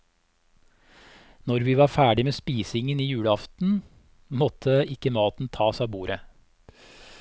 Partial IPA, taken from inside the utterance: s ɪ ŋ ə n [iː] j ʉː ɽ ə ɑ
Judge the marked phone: correct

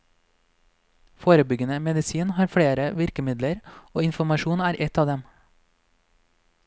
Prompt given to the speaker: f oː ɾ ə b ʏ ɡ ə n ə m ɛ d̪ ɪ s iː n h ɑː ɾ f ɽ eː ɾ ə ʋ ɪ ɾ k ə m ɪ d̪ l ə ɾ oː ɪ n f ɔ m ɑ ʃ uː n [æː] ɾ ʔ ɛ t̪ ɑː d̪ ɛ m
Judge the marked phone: correct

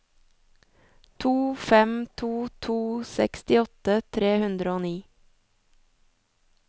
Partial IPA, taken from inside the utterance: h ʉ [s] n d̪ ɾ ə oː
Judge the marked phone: incorrect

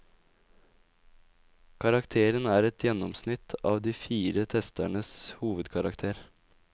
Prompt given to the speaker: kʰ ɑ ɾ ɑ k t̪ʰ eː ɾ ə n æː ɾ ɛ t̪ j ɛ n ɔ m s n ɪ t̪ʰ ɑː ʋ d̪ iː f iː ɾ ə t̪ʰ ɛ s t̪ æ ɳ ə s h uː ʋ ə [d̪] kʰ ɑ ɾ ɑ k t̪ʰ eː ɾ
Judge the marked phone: correct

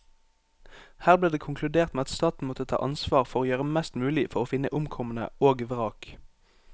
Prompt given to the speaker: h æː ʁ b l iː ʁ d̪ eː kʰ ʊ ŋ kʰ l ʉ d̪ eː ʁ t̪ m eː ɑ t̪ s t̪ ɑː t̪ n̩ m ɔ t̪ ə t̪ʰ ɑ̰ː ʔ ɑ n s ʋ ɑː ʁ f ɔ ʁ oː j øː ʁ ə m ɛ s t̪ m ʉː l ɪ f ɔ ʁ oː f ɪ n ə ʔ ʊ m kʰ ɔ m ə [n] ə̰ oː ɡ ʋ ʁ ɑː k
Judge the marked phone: correct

